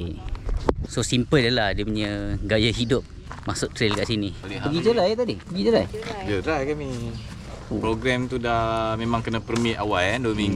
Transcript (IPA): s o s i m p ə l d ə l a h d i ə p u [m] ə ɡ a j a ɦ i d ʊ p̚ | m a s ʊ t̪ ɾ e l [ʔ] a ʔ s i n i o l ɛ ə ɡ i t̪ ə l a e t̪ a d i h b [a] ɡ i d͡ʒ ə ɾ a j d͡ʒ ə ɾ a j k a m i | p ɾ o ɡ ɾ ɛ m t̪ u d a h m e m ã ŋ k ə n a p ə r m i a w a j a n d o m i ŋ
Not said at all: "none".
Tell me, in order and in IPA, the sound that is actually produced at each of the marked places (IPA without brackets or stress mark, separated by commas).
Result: ɲ, k, ə